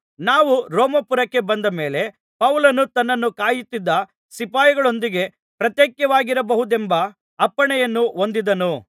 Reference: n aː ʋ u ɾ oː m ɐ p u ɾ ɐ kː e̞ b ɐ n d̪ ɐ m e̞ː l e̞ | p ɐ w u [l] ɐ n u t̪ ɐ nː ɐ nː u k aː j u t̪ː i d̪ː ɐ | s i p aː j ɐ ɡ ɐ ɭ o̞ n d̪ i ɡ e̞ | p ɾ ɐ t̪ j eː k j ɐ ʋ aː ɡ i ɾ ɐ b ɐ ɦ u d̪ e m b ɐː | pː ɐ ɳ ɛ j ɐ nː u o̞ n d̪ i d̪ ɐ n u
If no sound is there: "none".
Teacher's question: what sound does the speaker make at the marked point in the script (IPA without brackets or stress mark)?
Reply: l